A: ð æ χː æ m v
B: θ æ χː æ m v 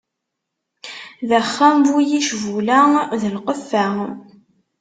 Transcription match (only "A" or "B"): A